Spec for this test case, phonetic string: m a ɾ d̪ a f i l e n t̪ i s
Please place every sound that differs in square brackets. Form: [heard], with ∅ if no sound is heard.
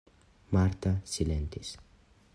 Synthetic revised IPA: m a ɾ [t̪] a [s] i l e n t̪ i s